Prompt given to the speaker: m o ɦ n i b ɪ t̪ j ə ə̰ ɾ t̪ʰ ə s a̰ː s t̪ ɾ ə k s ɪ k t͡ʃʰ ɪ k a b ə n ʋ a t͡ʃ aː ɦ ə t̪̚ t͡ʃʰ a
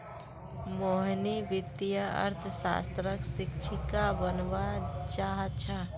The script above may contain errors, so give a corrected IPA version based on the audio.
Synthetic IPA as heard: m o ɦ n i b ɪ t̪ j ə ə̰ ɾ t̪ʰ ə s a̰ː s t̪ ɾ ə k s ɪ k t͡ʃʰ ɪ k a b ə n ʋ a t͡ʃ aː ɦ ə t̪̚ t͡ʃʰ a